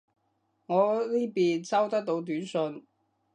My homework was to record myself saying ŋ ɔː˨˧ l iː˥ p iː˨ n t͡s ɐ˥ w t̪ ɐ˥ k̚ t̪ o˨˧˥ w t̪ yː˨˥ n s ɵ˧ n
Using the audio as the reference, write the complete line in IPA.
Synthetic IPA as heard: ŋ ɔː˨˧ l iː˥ p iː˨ n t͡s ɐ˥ w t̪ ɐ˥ k̚ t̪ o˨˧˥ w t̪ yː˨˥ n s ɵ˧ n

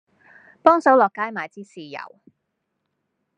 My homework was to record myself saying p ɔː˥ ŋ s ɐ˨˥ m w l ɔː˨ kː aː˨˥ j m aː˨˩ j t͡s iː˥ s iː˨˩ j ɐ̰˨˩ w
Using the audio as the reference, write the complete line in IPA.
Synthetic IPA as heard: p ɔː˥ ŋ s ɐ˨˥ w l ɔː˨ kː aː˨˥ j m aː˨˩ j t͡s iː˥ s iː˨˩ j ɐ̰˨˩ w

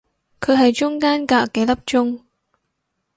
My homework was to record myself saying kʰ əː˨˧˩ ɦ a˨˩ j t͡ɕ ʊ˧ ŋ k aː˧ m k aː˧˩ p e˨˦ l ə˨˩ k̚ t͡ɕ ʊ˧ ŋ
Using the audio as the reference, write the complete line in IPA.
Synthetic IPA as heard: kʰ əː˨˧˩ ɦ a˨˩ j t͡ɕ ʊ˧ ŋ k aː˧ n k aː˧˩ k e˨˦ l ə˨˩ p̚ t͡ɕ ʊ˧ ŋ

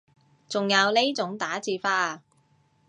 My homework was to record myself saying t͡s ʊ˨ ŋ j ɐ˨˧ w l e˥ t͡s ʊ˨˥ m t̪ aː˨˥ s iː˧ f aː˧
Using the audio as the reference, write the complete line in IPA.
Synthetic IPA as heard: t͡s ʊ˨ ŋ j ɐ˨˧ w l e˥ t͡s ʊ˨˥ ŋ t̪ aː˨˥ t͡s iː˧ f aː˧

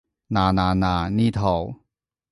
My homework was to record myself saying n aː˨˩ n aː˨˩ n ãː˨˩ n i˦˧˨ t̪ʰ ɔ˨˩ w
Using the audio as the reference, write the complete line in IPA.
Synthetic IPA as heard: n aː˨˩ n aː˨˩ n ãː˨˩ n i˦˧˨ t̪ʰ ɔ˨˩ w

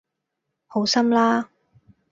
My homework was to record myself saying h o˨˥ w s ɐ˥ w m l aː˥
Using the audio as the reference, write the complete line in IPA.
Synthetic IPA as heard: h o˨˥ w s ɐ˥ m l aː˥

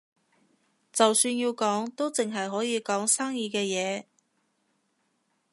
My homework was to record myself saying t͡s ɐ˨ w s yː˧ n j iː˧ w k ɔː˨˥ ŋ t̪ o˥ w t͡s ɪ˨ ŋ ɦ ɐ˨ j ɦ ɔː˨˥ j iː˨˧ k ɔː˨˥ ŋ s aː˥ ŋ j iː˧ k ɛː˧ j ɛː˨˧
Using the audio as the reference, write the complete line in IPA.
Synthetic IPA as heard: t͡s ɐ˨ w s yː˧ n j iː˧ w k ɔː˨˥ ŋ t̪ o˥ w t͡s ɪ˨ ŋ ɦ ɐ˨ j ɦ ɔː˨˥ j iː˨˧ k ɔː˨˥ ŋ s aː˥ ŋ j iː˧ k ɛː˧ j ɛː˨˧

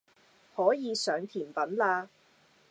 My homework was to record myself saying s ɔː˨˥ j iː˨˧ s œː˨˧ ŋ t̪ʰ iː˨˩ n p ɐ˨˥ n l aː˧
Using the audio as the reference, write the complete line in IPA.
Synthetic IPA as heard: h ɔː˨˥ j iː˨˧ s œː˨˧ ŋ t̪ʰ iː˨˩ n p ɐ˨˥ n l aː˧

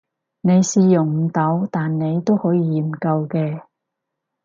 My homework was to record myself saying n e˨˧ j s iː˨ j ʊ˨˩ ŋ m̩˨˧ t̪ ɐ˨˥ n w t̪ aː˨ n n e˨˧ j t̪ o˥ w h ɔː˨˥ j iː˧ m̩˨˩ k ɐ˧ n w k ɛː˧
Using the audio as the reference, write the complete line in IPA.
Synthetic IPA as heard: n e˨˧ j s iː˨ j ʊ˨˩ ŋ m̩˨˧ t̪ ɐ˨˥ w t̪ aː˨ n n e˨˧ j t̪ o˥ w h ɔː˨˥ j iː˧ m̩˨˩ k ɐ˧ w k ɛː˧

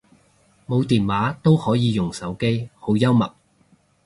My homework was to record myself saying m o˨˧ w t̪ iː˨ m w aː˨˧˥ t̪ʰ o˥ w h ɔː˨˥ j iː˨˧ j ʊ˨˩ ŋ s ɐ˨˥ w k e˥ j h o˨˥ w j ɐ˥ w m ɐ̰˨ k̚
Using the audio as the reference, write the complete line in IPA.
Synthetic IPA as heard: m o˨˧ w t̪ iː˨ n w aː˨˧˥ t̪ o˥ w h ɔː˨˥ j iː˨˧ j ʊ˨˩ ŋ s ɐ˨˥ w k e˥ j h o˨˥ w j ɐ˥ w m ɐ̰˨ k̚

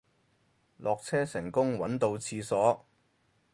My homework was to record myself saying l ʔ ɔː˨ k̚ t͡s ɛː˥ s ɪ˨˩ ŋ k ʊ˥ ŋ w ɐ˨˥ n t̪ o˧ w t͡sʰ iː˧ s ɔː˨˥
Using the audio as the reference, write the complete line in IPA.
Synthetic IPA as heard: l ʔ ɔː˨ k̚ t͡sʰ ɛː˥ s ɪ˨˩ ŋ k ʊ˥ ŋ w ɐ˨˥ n t̪ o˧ w t͡sʰ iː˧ s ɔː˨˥

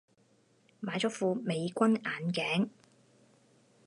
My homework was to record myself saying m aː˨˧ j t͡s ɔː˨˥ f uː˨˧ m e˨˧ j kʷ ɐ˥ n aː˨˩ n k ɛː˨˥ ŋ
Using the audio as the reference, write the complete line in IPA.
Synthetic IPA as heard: m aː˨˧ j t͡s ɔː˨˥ f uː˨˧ m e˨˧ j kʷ ɐ˥ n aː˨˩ n k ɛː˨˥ ŋ

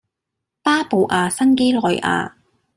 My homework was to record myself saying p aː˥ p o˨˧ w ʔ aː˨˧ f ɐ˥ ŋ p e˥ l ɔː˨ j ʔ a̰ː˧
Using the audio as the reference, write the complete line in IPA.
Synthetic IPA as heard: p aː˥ p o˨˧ w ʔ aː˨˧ s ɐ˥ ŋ k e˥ l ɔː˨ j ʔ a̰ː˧

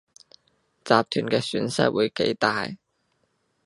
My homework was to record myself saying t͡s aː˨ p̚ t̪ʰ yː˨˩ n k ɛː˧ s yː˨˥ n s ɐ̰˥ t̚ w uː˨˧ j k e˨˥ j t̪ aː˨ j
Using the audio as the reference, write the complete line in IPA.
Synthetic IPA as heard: t͡s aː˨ p̚ t̪ʰ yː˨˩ n k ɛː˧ s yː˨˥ n s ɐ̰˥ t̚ w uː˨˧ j k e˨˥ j t̪ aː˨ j

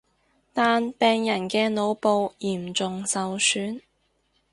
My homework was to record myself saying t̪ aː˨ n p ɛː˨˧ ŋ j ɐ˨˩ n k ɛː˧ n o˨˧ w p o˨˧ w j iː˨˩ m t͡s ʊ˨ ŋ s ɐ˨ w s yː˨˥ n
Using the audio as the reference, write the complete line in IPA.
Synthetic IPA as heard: t̪ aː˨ n p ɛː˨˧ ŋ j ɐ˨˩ n k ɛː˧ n o˨˧ w p o˨˧ w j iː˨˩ m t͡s ʊ˨ ŋ s ɐ˨ w s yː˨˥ n

